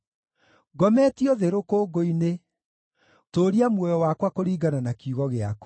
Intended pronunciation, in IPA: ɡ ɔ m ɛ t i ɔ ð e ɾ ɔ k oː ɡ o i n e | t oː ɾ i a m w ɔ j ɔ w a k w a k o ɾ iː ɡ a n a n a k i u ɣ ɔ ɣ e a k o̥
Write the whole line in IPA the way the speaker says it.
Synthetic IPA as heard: ɡ ɔ m ɛ t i ɔ ð e ɾ o k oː ɡ o i n e | t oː ɾ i a m w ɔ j ɔ w a k w a k o ɾ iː ɡ a n a n a k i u ɣ ɔ ɣ e a k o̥